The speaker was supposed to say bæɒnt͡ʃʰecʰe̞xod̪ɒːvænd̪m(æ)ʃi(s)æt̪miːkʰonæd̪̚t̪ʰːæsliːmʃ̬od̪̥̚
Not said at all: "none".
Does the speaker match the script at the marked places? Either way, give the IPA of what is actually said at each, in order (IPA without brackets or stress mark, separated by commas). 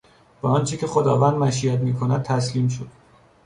æ, none